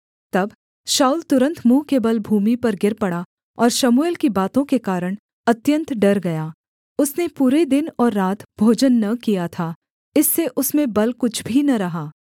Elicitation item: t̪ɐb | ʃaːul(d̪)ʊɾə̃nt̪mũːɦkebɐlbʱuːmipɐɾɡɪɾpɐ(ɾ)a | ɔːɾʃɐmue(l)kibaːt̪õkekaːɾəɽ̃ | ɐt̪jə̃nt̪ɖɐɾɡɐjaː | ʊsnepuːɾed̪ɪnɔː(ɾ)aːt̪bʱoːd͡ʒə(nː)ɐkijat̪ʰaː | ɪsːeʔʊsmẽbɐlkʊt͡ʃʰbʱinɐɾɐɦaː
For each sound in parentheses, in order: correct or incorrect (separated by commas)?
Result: incorrect, incorrect, correct, incorrect, correct